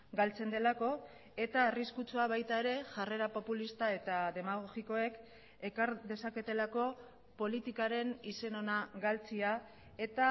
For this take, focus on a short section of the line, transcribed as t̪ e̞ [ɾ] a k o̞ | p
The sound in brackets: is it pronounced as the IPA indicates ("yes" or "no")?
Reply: no